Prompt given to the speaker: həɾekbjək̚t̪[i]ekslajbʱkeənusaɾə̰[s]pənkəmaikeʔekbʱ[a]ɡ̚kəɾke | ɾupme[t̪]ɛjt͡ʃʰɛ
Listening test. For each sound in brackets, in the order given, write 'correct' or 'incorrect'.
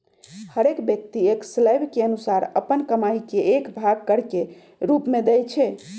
correct, incorrect: none, correct, incorrect: d̪

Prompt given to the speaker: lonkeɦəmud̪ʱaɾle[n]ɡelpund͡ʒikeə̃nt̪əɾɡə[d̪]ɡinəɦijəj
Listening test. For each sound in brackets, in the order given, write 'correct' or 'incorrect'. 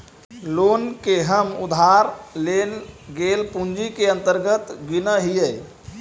correct, incorrect: t̪

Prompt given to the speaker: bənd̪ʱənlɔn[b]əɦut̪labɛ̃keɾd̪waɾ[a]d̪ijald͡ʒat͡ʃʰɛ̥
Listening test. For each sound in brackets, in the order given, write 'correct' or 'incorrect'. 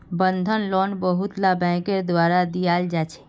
correct, correct

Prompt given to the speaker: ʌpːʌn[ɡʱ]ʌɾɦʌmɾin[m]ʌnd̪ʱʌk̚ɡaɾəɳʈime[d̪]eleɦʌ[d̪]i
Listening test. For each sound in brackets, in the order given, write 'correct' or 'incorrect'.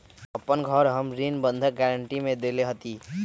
correct, incorrect: b, correct, incorrect: t̪

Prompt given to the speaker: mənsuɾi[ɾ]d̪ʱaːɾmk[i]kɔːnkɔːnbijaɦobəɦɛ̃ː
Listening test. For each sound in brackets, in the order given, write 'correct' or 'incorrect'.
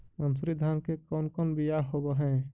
incorrect: none, incorrect: e

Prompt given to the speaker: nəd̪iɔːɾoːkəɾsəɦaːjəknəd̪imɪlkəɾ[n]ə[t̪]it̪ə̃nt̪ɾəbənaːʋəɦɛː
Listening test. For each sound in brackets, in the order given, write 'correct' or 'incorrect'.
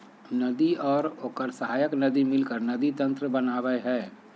correct, incorrect: d̪

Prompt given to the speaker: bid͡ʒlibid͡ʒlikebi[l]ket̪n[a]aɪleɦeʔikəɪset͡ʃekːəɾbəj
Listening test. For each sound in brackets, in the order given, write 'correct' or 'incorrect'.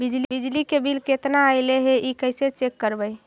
correct, correct

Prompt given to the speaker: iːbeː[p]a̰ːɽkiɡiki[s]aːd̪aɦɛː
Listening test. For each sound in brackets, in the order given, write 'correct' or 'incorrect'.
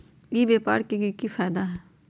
correct, incorrect: f

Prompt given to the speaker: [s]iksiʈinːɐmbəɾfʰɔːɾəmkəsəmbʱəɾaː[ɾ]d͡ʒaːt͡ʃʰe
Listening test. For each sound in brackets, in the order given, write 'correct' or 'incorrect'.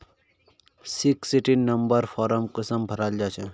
correct, incorrect: l

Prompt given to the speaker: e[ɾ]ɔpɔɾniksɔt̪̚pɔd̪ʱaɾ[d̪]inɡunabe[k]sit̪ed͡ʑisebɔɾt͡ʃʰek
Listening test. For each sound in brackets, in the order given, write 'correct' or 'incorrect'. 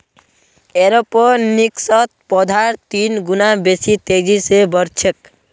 correct, incorrect: t̪, incorrect: none

